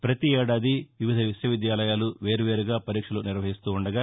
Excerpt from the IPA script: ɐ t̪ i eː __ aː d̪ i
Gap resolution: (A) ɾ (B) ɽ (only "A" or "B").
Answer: B